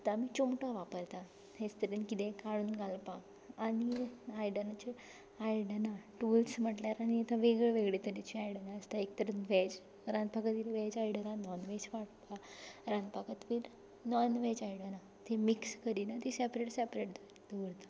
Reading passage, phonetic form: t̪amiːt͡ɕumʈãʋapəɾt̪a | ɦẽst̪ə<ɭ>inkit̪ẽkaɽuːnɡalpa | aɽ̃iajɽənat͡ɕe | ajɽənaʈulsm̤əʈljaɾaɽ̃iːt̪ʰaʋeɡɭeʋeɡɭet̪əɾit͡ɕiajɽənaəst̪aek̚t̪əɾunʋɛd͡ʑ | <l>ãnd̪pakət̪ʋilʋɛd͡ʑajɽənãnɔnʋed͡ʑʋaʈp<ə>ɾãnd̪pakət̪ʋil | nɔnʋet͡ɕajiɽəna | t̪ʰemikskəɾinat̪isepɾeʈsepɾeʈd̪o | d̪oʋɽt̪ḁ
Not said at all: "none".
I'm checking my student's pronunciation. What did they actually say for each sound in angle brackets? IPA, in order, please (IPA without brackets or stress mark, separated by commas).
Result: ɾ, ɾ, a